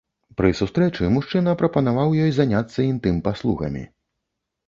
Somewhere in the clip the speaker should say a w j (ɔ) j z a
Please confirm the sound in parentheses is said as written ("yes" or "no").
yes